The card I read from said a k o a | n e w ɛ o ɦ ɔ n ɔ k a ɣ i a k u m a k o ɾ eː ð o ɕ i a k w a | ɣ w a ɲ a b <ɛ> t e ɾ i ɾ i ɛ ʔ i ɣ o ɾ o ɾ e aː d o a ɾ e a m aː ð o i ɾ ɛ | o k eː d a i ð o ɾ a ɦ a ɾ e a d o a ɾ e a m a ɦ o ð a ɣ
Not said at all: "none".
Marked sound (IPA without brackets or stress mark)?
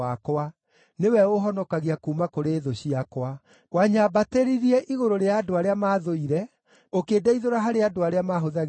a